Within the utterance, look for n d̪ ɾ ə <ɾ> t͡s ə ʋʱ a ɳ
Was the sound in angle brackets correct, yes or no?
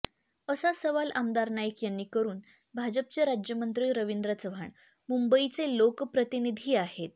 no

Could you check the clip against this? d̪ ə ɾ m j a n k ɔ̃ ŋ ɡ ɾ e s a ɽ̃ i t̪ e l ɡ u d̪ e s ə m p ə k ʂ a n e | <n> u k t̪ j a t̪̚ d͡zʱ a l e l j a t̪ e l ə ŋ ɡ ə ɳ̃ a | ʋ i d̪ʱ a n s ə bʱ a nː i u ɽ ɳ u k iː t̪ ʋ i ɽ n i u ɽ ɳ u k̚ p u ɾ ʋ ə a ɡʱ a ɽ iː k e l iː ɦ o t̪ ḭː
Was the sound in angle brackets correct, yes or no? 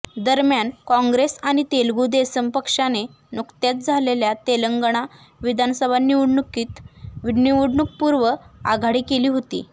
yes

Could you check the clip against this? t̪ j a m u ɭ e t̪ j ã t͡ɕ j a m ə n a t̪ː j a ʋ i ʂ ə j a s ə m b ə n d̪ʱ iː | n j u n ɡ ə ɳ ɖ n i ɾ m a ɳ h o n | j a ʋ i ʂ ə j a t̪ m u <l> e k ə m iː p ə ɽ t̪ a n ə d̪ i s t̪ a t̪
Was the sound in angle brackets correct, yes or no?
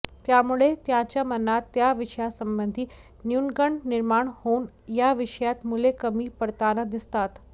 yes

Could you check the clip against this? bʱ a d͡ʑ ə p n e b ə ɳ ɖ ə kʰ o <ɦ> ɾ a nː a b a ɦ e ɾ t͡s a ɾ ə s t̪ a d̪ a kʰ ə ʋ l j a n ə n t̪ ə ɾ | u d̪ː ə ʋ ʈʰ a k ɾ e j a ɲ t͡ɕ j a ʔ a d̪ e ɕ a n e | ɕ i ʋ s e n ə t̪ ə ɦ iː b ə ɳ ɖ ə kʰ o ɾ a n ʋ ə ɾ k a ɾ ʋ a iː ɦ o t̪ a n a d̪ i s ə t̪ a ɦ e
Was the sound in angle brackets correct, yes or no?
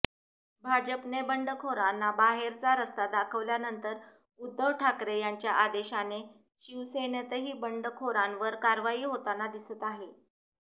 no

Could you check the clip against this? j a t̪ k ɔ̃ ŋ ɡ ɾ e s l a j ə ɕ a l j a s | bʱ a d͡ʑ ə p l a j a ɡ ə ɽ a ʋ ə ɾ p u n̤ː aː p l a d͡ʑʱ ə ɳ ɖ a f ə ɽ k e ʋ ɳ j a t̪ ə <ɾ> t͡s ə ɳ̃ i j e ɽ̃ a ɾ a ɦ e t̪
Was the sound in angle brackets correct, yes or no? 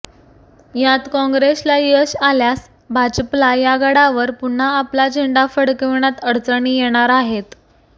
no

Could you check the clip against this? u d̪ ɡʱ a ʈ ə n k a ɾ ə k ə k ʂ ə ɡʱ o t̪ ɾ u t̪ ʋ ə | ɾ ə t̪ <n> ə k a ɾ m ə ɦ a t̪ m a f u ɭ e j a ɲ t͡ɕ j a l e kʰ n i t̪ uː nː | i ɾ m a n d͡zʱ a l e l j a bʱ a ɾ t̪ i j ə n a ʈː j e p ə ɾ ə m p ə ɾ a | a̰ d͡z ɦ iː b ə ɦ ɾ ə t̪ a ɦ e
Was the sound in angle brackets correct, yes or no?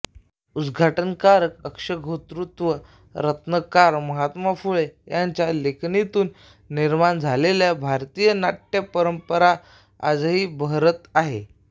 yes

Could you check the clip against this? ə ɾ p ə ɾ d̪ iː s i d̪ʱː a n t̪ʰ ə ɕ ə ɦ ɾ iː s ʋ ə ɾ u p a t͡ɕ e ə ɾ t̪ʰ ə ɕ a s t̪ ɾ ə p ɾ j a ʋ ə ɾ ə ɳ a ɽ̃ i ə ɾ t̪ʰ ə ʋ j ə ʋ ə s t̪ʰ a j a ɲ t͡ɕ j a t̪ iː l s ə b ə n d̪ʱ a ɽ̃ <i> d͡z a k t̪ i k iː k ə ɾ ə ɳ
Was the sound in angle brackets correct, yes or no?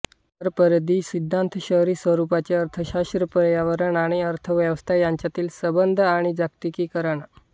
yes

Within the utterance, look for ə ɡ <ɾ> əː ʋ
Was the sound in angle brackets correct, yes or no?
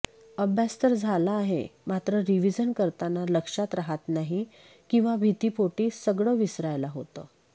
no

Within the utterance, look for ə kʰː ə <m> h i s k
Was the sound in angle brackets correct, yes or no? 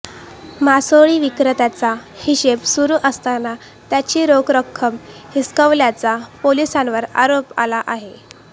yes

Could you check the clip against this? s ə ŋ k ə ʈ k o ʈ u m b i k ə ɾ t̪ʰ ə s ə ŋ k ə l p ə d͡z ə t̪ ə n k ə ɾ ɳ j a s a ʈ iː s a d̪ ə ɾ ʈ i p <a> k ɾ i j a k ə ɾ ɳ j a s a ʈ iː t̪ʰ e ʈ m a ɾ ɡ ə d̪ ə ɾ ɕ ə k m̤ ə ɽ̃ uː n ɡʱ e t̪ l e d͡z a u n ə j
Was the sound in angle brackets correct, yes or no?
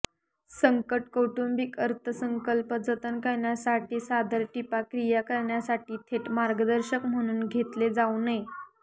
yes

